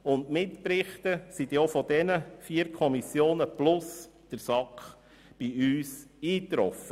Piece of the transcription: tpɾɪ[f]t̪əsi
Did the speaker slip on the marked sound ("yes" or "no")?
yes